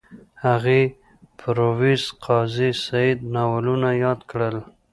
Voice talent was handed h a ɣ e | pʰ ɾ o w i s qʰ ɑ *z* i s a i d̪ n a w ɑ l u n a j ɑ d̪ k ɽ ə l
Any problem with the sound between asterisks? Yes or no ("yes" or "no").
no